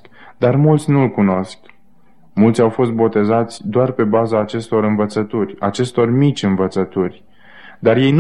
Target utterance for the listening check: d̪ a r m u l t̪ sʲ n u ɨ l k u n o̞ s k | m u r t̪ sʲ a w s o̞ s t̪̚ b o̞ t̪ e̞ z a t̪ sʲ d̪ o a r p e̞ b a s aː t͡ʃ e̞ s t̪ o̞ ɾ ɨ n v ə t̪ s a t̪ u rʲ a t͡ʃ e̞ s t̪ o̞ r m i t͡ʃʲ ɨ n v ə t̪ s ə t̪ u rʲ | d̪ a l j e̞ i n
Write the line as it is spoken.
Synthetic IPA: d̪ a r m u l t̪ sʲ n u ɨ l k u n o̞ s k | m u l t̪ sʲ a w f o̞ s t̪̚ b o̞ t̪ e̞ z a t̪ sʲ d̪ o a r p e̞ b a z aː t͡ʃ e̞ s t̪ o̞ ɾ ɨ n v ə t̪ s ə t̪ u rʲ a t͡ʃ e̞ s t̪ o̞ r m i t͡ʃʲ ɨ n v ə t̪ s ə t̪ u rʲ | d̪ a r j e̞ j n